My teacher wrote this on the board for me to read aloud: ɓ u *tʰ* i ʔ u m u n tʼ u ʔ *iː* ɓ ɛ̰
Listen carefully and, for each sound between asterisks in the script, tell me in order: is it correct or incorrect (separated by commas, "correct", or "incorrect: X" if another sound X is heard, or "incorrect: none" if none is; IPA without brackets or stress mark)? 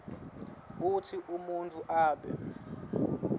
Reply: correct, incorrect: aː